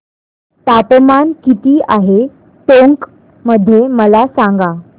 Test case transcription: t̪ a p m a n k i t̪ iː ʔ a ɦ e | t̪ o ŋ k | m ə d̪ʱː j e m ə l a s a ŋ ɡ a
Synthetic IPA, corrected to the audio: t̪ a p m a n k i t̪ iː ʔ a ɦ e | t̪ o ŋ k | m ə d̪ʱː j e m ə l a s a ŋ ɡ a